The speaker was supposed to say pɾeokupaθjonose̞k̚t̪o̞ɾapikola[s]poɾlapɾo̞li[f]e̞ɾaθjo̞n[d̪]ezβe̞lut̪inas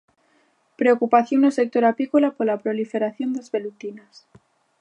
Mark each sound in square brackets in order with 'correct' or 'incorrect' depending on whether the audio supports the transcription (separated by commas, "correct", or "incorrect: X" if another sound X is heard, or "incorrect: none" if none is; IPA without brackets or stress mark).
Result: incorrect: none, correct, correct